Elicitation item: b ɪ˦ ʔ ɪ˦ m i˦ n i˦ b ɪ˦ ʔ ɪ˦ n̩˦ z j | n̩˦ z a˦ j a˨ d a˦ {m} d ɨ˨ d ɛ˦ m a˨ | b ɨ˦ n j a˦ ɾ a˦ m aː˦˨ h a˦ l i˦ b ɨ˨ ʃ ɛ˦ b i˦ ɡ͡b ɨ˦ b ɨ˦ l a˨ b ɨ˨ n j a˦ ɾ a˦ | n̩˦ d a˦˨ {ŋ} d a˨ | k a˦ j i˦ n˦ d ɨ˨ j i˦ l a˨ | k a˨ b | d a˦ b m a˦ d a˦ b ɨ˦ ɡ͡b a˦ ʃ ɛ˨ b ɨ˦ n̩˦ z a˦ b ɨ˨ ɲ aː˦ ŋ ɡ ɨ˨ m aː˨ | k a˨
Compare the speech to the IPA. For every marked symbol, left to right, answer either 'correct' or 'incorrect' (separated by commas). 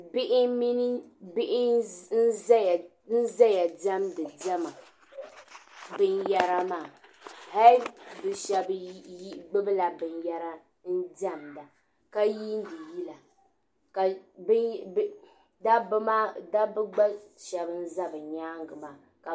correct, incorrect